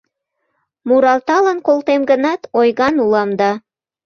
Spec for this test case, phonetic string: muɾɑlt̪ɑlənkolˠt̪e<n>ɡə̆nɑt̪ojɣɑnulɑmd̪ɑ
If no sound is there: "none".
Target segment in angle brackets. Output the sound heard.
m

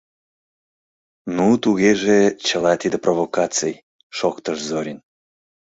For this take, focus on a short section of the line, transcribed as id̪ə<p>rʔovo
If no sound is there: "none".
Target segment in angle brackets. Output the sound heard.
p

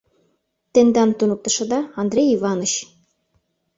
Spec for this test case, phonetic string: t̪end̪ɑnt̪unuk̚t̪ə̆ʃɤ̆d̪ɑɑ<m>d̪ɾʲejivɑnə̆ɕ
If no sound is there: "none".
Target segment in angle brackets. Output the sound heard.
n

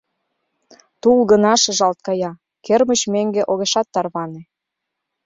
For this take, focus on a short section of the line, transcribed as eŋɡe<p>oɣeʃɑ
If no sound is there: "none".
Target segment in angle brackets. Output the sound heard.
ʔ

